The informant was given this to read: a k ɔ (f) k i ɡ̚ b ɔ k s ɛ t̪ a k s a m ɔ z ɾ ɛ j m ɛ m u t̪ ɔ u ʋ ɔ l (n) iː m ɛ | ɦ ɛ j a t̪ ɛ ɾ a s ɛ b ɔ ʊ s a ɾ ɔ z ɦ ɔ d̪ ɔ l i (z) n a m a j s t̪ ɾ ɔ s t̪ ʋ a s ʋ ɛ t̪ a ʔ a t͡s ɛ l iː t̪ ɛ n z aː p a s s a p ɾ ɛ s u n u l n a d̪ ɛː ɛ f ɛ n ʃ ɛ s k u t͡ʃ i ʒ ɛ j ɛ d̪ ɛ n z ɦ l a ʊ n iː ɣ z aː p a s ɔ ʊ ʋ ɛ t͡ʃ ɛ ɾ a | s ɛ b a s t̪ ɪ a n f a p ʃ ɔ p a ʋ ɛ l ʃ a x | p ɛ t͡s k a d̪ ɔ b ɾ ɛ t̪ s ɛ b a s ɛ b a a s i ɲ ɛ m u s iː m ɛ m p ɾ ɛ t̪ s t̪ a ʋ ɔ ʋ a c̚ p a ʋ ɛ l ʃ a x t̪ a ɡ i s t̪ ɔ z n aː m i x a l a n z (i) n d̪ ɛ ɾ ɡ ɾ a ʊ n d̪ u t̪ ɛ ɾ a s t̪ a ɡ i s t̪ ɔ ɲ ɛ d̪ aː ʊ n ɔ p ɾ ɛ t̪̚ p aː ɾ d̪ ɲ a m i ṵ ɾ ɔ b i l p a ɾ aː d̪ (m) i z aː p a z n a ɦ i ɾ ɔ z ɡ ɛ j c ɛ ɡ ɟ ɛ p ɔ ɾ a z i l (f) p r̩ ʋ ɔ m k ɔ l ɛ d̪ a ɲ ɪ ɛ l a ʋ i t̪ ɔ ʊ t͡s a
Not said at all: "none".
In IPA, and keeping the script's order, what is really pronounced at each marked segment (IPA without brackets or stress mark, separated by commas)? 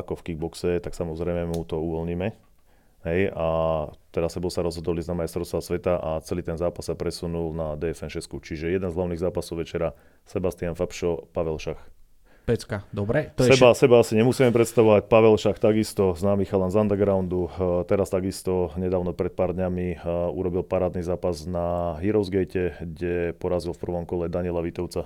f, ɲ, z, a, n, f